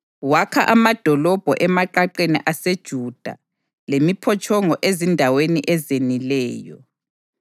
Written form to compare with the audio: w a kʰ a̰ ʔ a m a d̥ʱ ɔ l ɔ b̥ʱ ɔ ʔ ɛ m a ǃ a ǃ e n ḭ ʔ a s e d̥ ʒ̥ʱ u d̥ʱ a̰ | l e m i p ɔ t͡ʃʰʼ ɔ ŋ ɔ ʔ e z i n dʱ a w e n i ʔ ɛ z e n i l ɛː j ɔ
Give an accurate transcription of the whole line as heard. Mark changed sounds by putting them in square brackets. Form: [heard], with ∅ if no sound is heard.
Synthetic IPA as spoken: w a kʰ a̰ ʔ a m a d̥ʱ ɔ l ɔ b̥ʱ ɔ ʔ ɛ m a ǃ a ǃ e n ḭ ʔ a s e d̥ ʒ̥ʱ u d̥ʱ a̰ | l e m i [pʰ] ɔ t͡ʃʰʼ ɔ ŋ ɔ ʔ e z i n dʱ a w e n i ʔ ɛ z e n i l ɛː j ɔ